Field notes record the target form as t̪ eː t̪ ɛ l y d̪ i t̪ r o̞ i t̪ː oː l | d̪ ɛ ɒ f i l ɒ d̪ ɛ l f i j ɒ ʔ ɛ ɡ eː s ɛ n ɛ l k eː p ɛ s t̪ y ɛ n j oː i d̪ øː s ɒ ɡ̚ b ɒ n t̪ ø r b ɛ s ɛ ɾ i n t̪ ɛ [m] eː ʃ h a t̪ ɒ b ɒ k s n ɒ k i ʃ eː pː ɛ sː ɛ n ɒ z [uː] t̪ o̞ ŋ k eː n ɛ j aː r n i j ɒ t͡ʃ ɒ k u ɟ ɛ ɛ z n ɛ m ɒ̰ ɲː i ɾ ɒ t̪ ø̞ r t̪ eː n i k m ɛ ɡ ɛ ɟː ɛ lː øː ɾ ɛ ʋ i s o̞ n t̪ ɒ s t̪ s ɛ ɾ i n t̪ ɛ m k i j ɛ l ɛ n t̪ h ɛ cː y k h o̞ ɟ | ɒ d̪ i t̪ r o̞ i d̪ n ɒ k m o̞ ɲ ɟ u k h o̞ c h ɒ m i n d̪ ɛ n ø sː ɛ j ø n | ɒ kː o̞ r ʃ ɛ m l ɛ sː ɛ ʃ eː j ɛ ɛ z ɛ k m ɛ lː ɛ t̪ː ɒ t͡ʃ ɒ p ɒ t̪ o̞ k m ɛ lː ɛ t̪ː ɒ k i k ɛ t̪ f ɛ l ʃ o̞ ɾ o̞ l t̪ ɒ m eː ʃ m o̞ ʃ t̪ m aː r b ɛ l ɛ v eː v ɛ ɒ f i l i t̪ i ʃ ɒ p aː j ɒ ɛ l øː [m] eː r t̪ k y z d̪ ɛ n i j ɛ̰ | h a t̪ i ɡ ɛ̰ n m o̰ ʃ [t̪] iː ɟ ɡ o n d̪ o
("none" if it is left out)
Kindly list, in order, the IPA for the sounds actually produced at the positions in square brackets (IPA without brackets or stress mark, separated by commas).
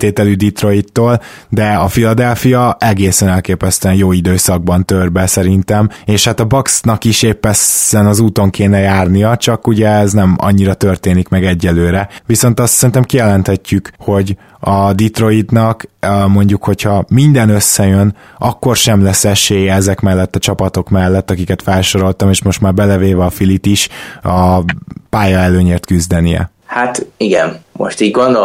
m, uː, ɲ, t̪